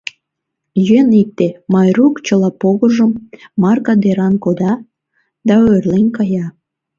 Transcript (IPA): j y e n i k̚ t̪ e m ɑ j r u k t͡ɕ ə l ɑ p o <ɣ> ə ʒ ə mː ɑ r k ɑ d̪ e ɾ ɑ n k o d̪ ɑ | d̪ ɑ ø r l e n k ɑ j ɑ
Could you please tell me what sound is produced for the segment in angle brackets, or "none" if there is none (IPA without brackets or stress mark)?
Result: ɣ